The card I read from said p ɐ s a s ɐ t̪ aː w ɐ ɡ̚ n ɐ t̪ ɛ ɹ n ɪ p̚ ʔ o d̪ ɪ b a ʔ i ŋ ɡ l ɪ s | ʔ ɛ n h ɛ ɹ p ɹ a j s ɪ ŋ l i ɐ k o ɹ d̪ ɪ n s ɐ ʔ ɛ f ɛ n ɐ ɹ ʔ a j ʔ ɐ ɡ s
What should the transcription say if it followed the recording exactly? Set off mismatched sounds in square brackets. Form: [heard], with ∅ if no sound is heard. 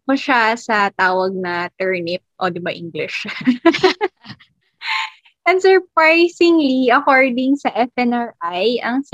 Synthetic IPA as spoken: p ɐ [ʃ] a s ɐ t̪ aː w ɐ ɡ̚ n ɐ t̪ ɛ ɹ n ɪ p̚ ʔ o d̪ ɪ b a ʔ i ŋ ɡ l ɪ [ʃ] | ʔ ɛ n [s] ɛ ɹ p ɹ a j s ɪ ŋ l i ɐ k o ɹ d̪ ɪ [ŋ] s ɐ ʔ ɛ f ɛ n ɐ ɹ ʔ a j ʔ ɐ [ŋ] s